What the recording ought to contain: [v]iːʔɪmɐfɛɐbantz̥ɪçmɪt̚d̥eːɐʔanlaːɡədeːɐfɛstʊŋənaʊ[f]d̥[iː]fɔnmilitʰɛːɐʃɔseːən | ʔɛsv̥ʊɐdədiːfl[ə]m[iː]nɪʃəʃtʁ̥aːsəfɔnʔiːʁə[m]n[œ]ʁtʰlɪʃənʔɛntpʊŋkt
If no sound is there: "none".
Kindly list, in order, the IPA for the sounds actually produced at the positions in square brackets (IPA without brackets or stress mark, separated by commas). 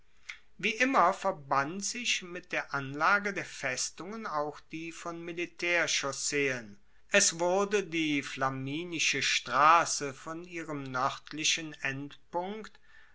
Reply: v, x, iː, a, iː, m, œ